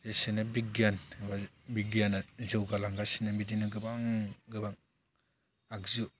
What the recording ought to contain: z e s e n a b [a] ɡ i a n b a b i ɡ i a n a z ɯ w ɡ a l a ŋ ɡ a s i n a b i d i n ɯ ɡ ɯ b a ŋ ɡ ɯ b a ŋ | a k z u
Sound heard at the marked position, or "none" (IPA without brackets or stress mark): i